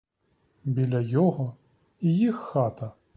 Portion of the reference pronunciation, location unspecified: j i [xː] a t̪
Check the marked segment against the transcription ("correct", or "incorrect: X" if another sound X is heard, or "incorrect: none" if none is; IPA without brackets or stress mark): correct